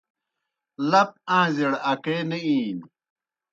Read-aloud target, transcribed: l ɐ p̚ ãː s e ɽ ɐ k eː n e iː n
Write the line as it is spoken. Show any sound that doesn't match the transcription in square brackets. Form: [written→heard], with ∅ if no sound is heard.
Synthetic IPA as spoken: l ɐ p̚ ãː [s→z] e ɽ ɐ k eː n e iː n